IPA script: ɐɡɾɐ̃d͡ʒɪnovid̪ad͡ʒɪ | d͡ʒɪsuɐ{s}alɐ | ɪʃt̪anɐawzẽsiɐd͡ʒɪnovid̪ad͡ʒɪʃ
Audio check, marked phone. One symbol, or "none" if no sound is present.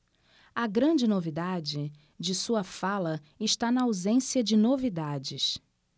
f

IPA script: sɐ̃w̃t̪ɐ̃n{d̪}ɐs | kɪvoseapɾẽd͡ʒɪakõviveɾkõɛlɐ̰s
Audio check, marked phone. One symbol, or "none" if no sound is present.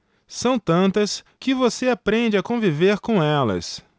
t̪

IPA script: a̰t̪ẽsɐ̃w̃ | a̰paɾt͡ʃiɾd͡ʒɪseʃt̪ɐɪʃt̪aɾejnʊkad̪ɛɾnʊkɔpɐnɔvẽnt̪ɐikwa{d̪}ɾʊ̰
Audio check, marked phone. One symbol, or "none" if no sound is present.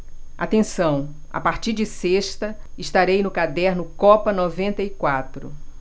t̪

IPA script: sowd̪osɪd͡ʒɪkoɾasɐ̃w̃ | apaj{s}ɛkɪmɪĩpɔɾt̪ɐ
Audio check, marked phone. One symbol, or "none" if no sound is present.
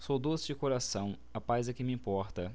z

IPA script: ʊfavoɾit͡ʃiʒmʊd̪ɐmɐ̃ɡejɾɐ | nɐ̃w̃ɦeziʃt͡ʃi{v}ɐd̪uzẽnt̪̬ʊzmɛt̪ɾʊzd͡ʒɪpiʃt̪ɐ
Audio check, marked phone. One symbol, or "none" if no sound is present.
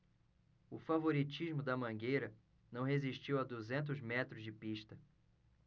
w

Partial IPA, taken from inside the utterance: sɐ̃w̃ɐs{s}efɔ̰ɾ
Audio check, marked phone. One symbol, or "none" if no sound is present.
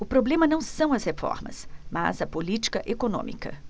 h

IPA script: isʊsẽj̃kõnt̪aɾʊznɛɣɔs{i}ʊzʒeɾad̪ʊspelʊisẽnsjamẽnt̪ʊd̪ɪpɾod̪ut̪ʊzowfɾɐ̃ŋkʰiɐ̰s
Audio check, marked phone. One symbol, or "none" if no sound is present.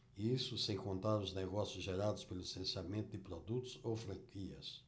j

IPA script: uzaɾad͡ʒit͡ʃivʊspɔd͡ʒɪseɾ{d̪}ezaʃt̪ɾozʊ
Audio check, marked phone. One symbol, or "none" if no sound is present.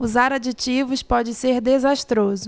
d̪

